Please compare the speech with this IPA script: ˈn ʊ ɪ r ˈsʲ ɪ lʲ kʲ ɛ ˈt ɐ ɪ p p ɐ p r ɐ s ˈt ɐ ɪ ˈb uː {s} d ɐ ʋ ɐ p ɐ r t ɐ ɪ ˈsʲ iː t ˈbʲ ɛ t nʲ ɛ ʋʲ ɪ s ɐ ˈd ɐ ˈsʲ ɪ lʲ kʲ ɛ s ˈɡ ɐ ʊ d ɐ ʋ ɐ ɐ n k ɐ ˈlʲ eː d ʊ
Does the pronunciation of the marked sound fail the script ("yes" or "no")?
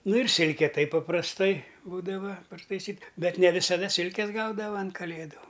yes